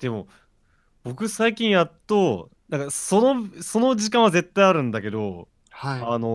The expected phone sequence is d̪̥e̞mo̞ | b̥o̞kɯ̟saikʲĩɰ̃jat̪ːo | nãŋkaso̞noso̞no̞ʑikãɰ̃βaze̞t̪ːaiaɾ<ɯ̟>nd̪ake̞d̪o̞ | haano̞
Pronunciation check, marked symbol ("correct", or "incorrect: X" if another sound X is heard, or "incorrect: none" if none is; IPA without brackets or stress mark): incorrect: ɯ̟̃